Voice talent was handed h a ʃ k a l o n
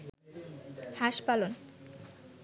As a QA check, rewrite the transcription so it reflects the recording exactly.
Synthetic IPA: h a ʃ p a l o n